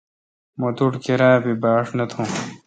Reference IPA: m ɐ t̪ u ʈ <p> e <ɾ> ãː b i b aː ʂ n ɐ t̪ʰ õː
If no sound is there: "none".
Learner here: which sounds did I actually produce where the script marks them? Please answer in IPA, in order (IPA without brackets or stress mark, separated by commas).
k, ɾ